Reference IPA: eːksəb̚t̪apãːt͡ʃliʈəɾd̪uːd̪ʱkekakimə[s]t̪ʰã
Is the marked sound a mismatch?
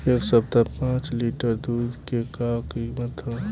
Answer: yes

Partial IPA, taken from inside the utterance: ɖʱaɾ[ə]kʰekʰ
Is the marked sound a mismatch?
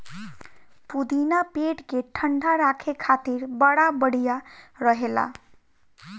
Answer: yes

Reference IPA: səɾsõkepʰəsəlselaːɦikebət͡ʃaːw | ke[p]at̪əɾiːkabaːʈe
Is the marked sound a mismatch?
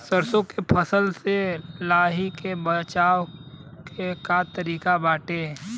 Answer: yes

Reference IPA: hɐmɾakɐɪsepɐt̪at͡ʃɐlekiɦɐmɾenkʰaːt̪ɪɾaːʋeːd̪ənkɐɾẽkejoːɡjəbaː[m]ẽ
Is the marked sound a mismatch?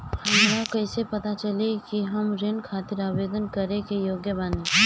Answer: yes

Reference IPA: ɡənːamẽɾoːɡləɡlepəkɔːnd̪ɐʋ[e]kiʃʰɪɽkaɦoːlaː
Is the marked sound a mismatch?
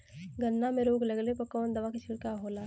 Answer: yes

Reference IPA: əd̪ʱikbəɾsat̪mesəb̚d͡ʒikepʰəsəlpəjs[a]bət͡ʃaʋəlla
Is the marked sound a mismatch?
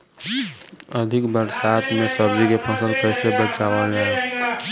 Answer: yes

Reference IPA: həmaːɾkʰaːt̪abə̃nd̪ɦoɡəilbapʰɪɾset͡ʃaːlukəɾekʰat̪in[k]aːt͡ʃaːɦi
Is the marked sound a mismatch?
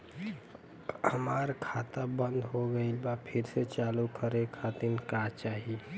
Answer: no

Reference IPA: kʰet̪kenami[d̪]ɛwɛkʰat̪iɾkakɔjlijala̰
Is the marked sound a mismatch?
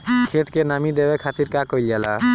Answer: no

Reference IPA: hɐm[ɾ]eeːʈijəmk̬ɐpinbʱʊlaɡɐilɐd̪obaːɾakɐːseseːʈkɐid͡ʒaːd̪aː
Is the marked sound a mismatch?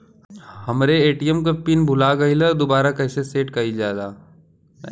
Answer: no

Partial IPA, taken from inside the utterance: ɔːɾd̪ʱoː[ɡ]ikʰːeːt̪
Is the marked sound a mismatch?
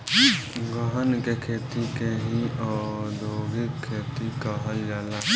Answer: no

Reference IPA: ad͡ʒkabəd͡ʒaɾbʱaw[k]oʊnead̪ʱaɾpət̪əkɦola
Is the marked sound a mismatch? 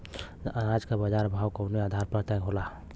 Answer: no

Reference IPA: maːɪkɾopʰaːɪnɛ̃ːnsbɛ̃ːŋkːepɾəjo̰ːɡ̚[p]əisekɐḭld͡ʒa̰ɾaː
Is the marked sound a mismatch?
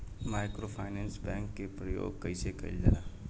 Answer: yes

